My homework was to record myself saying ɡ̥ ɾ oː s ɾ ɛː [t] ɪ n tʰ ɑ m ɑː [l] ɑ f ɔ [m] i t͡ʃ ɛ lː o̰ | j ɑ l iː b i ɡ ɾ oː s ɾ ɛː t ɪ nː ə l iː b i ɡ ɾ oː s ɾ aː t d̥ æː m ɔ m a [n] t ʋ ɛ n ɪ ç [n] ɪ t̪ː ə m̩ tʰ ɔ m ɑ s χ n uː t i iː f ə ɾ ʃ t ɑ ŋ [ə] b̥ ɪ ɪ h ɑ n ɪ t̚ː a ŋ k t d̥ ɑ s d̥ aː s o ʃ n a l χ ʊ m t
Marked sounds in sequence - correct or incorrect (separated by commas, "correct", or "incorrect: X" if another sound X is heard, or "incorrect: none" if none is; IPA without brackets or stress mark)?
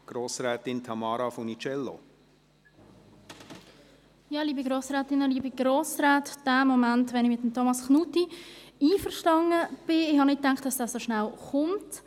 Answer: correct, incorrect: ɾ, incorrect: n, correct, incorrect: m, correct